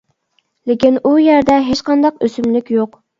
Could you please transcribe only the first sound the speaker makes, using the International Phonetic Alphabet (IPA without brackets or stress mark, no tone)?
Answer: l